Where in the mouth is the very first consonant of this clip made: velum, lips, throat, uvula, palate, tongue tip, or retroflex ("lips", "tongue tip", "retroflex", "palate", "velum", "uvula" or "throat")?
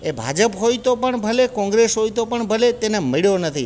lips